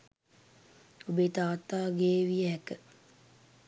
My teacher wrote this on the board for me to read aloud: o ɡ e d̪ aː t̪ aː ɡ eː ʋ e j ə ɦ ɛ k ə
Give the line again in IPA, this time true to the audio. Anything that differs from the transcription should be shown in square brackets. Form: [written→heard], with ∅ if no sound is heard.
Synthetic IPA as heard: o [ɡ→b] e [d̪→t̪] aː t̪ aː ɡ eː ʋ [e→i] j ə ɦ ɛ k ə